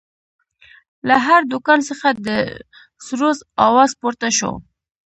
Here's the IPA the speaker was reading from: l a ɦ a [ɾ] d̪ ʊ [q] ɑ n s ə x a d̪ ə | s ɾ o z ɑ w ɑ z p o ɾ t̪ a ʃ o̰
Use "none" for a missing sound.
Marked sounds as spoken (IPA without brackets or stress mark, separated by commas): ɾ, k